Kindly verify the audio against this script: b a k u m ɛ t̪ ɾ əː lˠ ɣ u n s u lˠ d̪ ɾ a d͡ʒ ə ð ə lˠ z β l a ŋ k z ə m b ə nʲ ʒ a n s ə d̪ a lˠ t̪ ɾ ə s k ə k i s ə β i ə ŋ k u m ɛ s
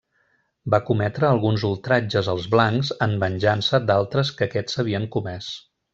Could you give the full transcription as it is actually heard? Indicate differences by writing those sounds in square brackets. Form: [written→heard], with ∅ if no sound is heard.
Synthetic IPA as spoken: b a k u m ɛ t̪ ɾ əː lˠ ɣ u n [s→z] u lˠ [d̪→t̪] ɾ a d͡ʒ ə [ð→z] ə lˠ z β l a ŋ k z ə m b ə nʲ ʒ a n s ə d̪ a lˠ t̪ ɾ ə s k ə k [i→ɛ] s ə β i ə ŋ k u m ɛ s

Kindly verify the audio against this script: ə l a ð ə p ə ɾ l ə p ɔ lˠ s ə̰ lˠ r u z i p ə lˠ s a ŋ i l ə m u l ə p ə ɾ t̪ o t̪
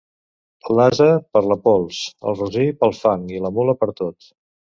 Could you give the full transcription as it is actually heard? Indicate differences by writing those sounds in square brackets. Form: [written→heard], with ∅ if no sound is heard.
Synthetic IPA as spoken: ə l a [ð→z] ə p ə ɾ l ə p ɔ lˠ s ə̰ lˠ r u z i p ə lˠ [s→f] a ŋ i l ə m u l ə p ə ɾ t̪ o t̪

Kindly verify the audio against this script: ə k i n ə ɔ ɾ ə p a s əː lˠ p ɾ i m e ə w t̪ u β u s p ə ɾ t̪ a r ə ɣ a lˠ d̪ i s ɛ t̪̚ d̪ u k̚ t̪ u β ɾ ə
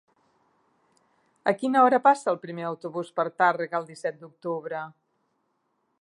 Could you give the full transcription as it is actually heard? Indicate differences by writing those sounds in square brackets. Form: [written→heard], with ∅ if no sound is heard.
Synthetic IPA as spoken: ə k i n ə ɔ ɾ ə p a s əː lˠ p ɾ i m e ə w t̪ u β u s p ə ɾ t̪ a r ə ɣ [a→ə] lˠ d̪ i s ɛ t̪̚ d̪ u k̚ t̪ u β ɾ ə

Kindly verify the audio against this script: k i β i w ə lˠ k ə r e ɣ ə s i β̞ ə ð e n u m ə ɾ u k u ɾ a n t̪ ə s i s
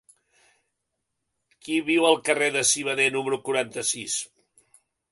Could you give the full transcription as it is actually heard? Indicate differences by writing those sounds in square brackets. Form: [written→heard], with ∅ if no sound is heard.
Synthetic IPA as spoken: k i β i w ə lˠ k ə r e [ɣ→ð] ə s i β̞ ə ð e n u m ə ɾ u k u ɾ a n t̪ ə s i s

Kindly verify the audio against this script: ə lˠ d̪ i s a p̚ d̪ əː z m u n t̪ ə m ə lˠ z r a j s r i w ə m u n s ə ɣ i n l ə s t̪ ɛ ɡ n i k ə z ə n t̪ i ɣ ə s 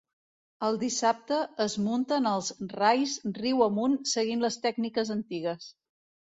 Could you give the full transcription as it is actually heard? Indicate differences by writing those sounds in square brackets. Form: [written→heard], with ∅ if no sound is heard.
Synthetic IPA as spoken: ə lˠ d̪ i s a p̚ [d̪→t̪] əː z m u n t̪ ə [m→n] ə lˠ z r a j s r i w ə m u n s ə ɣ i n l ə s t̪ ɛ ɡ n i k ə z ə n t̪ i ɣ ə s

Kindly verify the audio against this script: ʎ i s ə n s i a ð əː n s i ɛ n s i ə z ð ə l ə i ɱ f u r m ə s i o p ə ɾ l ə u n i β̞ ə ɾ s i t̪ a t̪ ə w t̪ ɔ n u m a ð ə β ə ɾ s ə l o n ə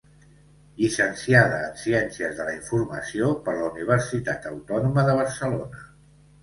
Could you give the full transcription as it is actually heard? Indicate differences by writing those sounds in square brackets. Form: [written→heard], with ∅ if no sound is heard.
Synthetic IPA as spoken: ʎ i s ə n s i a ð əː n s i ɛ n s i ə z ð ə l ə i ɱ f u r m ə s i o p ə ɾ l ə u n i β̞ ə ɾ s i t̪ a t̪ ə w t̪ ɔ n u m [a→ə] ð ə β ə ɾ s ə l o n ə

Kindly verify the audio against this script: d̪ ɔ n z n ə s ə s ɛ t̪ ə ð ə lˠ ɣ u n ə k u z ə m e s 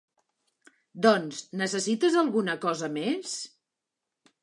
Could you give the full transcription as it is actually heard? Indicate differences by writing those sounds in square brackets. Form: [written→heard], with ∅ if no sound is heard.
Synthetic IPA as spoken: d̪ ɔ n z n ə s ə s [ɛ→i] t̪ ə [ð→z] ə lˠ ɣ u n ə k [u→ɔ] z ə m e s

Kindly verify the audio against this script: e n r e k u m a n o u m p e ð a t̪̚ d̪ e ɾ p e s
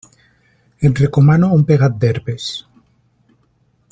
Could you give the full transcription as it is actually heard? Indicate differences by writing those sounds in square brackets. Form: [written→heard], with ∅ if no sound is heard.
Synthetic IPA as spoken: e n r e k [u→o] m a n o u m p e [ð→ɣ] a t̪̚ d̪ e ɾ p e s

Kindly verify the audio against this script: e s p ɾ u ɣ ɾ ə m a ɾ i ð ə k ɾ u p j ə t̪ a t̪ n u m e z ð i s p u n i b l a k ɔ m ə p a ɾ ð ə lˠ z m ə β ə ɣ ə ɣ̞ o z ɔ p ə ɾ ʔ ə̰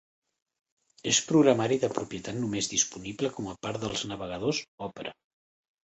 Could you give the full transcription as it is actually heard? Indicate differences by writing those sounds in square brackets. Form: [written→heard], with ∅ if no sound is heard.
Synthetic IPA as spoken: e s p ɾ u ɣ ɾ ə m a ɾ i ð ə [k→p] ɾ u p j ə t̪ a t̪ n u m e z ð i s p u n i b l [a→ə] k ɔ m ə p a ɾ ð ə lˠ z [m→n] ə β ə ɣ ə [ɣ̞→ð̞] o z ɔ p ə ɾ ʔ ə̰

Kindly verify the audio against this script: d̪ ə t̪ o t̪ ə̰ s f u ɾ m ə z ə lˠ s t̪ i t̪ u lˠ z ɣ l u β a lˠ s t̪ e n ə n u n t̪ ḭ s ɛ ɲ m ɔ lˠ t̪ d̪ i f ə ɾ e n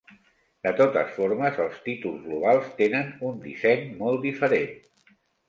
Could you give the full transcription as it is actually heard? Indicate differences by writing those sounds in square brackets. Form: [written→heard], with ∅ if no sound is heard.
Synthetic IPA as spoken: d̪ ə t̪ o t̪ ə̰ s f [u→o] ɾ m ə z ə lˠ s t̪ i t̪ u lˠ z ɣ l u β a lˠ s t̪ e n ə n u n [t̪→d̪] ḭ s ɛ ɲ m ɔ lˠ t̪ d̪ i f ə ɾ e n

